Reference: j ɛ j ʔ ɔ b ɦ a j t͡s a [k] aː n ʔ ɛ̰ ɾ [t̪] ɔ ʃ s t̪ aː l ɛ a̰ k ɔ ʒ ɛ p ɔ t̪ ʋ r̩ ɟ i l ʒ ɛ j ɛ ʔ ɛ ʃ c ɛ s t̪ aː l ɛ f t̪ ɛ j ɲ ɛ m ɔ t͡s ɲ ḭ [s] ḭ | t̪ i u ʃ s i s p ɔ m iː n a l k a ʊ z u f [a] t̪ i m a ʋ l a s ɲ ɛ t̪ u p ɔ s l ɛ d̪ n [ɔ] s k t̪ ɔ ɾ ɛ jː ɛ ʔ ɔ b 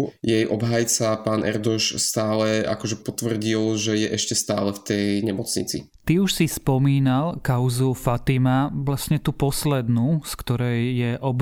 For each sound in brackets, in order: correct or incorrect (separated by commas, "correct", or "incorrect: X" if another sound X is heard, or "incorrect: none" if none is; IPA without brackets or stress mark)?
incorrect: p, incorrect: d̪, incorrect: t͡s, correct, incorrect: u